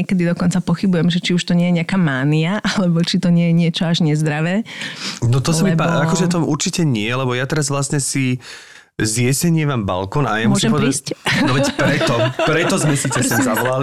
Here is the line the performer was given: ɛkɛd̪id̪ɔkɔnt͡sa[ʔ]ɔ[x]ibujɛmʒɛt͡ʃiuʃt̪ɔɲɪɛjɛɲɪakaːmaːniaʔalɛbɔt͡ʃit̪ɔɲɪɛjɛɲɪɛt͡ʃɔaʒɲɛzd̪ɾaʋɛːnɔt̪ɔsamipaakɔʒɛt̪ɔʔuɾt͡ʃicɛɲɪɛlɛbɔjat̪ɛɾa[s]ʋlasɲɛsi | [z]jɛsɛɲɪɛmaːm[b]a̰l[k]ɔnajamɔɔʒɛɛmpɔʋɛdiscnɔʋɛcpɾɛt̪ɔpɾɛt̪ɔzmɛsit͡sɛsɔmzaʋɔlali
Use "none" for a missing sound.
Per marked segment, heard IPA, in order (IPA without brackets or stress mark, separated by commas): p, x, z, z, b, k